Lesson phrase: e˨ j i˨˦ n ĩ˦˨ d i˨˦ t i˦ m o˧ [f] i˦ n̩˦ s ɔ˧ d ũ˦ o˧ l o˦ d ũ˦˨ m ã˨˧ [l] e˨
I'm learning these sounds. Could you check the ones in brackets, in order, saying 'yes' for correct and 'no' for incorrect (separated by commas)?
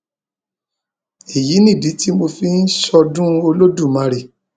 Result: yes, no